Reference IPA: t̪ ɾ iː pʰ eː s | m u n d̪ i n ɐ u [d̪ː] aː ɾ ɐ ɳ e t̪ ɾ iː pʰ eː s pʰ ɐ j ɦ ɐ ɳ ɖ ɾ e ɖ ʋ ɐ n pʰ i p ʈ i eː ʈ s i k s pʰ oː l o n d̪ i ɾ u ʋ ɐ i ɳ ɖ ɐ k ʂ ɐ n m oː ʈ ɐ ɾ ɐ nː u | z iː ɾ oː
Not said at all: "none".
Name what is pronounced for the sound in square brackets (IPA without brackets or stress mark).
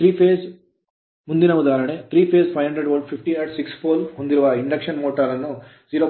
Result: d̪